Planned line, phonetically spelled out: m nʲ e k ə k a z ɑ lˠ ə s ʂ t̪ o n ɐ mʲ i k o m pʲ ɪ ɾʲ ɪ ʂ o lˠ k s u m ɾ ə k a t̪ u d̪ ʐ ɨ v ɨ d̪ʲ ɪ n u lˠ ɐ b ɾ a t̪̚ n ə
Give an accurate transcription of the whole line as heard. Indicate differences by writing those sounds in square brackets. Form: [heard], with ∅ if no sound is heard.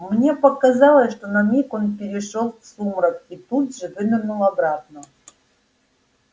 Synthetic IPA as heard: m nʲ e [p] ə k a z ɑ lˠ ə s ʂ t̪ o n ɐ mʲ i k o [n] pʲ ɪ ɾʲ ɪ ʂ o lˠ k s u m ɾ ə k [i] t̪ u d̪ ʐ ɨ v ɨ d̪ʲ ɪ n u lˠ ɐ b ɾ a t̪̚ n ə